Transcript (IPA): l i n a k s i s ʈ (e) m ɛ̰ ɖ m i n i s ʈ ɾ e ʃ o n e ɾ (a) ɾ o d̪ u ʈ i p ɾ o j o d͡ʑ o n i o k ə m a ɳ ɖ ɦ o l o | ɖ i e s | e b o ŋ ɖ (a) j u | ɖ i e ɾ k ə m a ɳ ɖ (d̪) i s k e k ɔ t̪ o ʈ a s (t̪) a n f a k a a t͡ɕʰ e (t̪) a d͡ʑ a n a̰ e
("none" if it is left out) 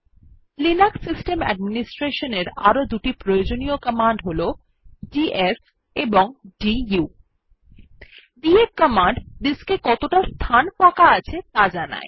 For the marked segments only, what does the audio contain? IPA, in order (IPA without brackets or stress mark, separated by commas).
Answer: e, a, i, d̪, t̪ʰ, t̪